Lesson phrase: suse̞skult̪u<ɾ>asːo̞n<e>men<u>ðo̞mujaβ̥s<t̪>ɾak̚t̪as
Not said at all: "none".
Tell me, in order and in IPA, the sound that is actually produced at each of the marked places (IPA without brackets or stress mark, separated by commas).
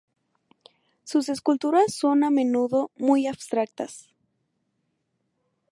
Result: ɾ, a, u, t̪